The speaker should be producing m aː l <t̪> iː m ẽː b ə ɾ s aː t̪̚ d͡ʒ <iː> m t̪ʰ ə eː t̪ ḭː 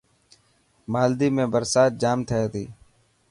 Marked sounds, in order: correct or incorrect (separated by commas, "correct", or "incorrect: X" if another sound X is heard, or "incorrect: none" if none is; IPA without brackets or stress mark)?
incorrect: d̪, incorrect: aː